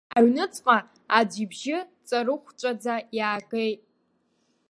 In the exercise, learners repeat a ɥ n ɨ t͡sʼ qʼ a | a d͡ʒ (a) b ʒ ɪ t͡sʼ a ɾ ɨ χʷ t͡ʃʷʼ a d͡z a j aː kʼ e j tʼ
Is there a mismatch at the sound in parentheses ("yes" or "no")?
yes